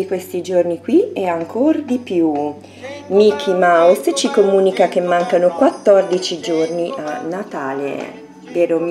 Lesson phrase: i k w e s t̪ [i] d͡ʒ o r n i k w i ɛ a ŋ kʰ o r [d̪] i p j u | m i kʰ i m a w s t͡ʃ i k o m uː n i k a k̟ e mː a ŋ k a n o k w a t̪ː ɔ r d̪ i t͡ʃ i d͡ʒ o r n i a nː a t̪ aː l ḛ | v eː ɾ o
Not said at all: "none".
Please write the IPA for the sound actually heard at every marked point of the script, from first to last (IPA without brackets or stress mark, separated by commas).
i, d̪